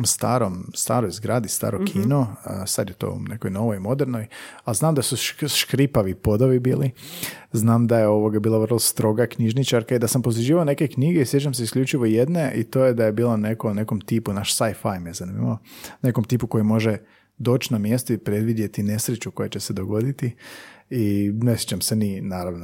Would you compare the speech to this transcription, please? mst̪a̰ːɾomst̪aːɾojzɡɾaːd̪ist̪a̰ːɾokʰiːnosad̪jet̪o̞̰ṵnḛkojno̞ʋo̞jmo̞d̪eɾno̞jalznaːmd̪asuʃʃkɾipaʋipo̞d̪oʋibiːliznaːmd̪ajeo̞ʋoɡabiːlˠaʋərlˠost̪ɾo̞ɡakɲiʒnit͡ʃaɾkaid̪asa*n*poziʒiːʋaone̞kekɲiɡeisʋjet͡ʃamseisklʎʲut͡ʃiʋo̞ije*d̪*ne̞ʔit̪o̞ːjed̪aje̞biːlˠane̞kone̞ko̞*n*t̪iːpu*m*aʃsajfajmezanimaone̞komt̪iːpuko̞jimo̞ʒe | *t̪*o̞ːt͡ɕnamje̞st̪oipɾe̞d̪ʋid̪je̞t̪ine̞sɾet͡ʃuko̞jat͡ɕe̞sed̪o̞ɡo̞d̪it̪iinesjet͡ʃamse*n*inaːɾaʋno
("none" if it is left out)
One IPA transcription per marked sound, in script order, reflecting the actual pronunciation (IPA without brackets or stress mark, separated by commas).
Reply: m, d̪, m, n, d̪, n